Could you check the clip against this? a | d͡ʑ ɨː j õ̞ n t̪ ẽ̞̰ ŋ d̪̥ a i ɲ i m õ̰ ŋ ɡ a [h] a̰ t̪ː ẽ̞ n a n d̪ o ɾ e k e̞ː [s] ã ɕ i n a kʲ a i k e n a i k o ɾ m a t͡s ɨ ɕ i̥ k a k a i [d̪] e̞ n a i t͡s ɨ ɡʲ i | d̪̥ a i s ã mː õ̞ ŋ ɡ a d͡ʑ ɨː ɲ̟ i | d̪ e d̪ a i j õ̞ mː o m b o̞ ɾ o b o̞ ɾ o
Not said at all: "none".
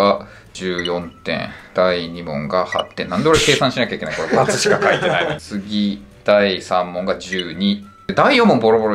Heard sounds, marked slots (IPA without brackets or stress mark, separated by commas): h, s, t̪